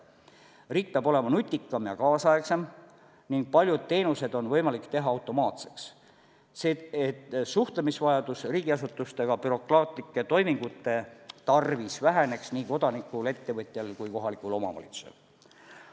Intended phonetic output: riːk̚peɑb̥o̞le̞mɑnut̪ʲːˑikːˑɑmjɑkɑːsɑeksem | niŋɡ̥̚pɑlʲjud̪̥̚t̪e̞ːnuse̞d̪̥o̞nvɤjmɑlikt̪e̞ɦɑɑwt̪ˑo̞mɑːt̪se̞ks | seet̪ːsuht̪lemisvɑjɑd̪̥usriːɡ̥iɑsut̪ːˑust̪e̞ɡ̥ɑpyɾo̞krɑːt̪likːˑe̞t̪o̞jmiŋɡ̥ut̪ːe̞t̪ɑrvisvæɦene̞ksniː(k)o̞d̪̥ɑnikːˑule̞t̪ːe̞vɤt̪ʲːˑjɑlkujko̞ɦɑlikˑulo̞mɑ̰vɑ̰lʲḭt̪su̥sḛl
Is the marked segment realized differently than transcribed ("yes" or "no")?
no